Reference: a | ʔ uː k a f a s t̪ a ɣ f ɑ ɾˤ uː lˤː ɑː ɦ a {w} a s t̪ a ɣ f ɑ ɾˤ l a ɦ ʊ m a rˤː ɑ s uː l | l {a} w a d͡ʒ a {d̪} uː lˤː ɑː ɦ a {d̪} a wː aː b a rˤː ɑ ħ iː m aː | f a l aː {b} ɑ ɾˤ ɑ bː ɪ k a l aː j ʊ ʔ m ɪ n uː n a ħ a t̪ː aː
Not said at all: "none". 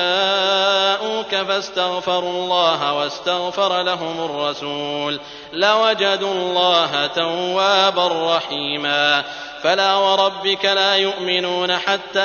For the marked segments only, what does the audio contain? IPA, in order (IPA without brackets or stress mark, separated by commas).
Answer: w, a, d̪, t̪, w